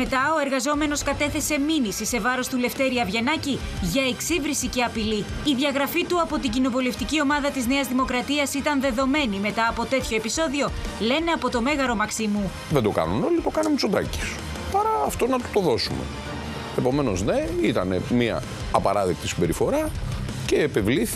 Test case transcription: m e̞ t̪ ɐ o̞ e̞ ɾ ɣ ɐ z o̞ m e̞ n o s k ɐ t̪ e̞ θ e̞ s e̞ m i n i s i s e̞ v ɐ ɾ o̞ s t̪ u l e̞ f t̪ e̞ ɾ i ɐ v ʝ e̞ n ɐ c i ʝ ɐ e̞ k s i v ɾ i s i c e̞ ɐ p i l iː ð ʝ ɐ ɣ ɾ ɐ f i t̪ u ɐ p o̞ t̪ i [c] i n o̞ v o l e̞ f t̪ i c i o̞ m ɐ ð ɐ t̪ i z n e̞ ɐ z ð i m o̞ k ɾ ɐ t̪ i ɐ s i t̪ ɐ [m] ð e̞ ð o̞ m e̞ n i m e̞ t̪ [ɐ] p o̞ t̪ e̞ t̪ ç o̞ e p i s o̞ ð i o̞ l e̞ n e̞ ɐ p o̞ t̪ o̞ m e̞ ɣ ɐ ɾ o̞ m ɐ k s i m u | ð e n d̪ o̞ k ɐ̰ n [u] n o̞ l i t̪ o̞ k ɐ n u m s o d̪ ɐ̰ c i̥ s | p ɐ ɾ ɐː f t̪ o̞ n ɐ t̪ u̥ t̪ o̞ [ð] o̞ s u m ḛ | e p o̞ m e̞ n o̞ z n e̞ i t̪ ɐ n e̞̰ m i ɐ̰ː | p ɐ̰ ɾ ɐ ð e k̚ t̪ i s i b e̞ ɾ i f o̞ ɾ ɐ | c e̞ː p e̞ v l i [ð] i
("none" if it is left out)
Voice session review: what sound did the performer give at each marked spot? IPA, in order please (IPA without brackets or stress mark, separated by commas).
ɟ, n, ɐː, u, ð, θ